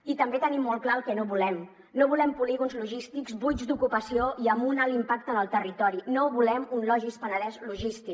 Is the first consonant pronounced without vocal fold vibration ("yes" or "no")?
yes